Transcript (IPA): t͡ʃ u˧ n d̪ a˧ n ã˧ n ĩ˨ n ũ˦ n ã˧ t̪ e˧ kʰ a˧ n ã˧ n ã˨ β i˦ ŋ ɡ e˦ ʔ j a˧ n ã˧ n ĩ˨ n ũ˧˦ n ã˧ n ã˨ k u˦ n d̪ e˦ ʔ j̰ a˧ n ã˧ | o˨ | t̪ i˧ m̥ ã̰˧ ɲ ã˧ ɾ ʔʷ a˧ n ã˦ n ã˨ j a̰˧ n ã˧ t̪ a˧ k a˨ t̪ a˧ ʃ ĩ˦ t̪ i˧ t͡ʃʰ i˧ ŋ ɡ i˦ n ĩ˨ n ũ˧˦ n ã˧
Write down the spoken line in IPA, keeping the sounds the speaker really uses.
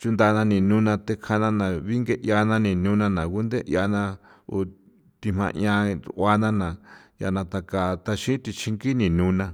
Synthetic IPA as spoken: t͡ʃ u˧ n d̪ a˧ n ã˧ n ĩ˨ n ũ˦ n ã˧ t̪ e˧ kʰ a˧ n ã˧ n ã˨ β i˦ ŋ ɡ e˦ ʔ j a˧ n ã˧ n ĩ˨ n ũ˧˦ n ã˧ n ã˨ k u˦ n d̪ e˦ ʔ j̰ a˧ n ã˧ | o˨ | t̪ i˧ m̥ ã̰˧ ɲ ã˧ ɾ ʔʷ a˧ n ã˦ n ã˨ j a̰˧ n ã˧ t̪ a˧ k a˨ t̪ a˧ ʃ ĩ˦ t̪ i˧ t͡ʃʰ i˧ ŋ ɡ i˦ n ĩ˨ n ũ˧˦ n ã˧